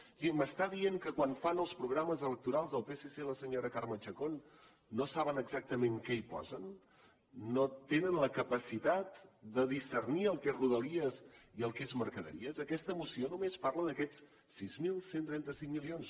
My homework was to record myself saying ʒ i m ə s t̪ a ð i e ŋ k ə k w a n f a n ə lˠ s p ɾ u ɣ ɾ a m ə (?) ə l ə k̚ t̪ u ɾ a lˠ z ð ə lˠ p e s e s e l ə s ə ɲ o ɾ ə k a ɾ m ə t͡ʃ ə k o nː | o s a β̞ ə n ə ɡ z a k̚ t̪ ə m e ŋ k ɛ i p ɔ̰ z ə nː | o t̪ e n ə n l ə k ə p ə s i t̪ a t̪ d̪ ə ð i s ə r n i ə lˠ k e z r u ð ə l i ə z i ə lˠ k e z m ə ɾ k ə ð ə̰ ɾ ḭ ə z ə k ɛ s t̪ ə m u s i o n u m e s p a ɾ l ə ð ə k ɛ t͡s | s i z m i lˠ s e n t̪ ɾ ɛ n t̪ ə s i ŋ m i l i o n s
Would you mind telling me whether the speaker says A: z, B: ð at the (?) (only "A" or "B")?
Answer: A